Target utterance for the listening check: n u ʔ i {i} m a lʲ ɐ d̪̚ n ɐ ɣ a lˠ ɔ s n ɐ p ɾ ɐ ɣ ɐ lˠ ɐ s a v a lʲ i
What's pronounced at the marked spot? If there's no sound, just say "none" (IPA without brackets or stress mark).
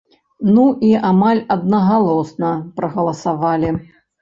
a